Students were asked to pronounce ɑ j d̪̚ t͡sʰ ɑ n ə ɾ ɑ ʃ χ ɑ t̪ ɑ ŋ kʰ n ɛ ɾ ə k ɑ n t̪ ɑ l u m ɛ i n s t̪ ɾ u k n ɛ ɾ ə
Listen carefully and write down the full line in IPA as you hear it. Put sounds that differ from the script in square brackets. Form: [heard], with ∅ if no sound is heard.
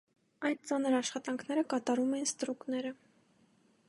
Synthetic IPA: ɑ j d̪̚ [t͡s] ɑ n ə ɾ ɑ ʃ χ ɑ t̪ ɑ ŋ kʰ n ɛ ɾ ə k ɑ [∅] t̪ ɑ [ɾ] u m ɛ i n s t̪ ɾ u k n ɛ ɾ ə